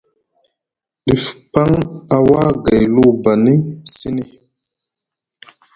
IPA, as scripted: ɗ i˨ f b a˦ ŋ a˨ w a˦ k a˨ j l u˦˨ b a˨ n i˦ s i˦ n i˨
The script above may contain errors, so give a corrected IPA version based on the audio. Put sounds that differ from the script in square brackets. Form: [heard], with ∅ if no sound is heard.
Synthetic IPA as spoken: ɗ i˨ f [p] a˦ ŋ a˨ w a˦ [ɡ] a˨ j l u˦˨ b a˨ n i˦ s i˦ n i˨